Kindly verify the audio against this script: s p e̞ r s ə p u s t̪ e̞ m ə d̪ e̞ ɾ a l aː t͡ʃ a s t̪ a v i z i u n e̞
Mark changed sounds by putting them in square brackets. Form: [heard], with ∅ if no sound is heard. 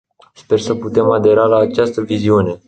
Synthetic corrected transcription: s p e̞ r s ə p u [∅] t̪ e̞ m [a] d̪ e̞ ɾ a l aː t͡ʃ a s t̪ [ə] v i z i u n e̞